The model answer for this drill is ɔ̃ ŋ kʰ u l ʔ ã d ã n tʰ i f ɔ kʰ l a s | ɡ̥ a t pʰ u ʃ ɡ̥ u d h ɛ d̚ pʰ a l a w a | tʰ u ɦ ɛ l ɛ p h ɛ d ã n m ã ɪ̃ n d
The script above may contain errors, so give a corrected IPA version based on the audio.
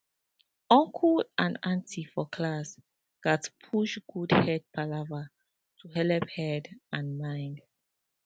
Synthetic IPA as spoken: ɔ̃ ŋ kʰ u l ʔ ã n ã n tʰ i f ɔ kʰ l a s | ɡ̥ a t pʰ u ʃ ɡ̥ u d h ɛ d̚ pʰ a l a v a | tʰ u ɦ ɛ l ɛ p h ɛ d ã n m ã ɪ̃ n d